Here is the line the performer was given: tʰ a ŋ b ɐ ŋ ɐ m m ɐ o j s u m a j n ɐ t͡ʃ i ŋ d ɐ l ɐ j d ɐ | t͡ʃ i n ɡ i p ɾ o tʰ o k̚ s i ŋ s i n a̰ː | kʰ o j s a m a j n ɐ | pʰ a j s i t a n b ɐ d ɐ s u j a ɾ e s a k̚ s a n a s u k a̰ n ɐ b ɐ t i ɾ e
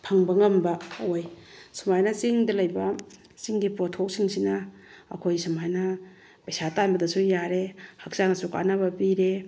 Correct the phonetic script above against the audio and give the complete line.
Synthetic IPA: pʰ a ŋ b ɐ ŋ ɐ m b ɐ o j s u m a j n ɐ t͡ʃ i ŋ d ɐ l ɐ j b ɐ | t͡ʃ i ŋ ɡ i p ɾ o tʰ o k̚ s i ŋ s i n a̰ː | kʰ o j s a m a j n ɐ | p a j s a t a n b ɐ d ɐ s u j a ɾ e h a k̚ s a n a s u k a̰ n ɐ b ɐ p i ɾ e